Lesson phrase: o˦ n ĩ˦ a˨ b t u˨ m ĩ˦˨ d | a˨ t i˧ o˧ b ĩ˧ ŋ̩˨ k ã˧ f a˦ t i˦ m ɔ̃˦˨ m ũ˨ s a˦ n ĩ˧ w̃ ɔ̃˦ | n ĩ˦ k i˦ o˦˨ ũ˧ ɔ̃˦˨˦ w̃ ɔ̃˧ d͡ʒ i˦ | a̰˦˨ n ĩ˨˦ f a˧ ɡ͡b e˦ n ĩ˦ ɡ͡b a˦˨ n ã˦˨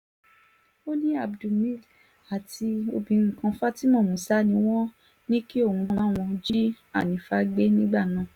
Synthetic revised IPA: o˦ n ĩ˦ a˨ b d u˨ m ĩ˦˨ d | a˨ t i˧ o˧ b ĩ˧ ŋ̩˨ k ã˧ f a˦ t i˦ m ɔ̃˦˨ m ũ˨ s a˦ n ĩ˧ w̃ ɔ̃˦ | n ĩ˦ k i˦ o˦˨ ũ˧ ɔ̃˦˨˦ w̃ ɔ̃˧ d͡ʒ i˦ | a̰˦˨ n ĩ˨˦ f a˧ ɡ͡b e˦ n ĩ˦ ɡ͡b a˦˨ n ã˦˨